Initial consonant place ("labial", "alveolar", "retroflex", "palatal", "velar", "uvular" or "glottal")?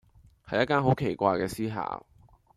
glottal